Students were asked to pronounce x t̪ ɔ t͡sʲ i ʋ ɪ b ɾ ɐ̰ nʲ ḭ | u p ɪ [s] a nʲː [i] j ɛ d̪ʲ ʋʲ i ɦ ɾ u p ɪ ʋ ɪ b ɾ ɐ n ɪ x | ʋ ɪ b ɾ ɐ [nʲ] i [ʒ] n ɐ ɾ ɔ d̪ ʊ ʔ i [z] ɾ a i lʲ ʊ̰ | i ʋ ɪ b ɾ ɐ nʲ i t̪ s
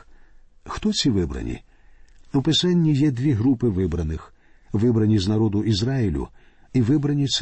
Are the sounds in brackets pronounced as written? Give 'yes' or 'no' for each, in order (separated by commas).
yes, yes, yes, no, yes